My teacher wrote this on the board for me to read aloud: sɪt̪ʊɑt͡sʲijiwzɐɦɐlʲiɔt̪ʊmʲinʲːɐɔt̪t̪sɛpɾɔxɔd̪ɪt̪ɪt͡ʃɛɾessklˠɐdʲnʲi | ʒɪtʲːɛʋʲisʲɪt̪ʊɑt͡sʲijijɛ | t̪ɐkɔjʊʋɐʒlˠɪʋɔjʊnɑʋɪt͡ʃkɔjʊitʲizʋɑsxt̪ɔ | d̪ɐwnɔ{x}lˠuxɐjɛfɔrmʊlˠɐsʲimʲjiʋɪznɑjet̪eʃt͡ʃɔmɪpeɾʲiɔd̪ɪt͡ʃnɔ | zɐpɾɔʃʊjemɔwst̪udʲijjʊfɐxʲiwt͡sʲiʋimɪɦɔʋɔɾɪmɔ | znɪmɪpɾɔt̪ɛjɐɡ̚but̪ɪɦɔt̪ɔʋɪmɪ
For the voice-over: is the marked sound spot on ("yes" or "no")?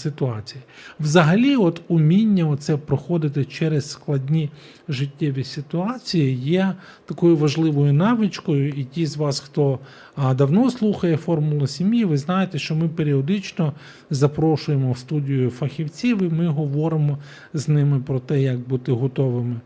no